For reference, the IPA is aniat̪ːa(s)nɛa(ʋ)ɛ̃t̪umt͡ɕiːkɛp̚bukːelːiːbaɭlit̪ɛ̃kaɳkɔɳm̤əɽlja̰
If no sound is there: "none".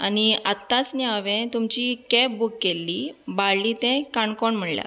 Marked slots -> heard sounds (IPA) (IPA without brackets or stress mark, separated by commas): t͡s, ʋ